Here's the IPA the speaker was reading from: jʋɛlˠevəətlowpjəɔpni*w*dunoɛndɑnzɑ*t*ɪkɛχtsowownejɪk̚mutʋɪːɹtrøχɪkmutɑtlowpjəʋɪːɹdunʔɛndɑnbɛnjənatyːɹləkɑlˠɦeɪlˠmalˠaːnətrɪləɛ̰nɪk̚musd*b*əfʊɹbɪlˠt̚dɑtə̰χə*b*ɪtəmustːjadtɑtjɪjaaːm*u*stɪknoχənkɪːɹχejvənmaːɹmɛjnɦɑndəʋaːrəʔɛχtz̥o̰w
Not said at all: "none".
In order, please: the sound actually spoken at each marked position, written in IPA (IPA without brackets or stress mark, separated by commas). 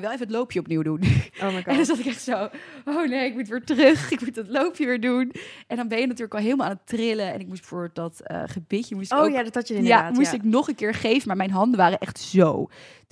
w, t, b, b, u